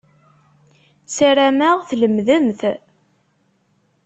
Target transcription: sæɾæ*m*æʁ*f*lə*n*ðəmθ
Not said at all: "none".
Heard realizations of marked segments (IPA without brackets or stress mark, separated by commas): m, θ, m